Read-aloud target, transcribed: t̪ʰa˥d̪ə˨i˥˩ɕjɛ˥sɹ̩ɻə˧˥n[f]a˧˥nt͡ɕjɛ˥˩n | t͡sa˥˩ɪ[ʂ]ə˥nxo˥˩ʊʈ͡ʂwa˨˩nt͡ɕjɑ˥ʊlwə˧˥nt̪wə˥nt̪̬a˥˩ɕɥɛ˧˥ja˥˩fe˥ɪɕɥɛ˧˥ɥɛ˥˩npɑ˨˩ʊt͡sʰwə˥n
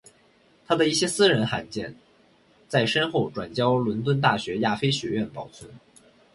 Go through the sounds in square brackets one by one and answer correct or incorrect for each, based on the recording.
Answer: incorrect: x, correct

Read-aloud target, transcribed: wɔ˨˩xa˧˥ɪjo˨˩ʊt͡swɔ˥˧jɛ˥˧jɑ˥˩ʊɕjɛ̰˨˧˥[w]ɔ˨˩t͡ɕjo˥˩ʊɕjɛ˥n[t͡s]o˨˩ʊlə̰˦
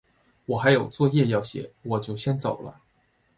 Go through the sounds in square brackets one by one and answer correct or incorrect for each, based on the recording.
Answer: correct, correct

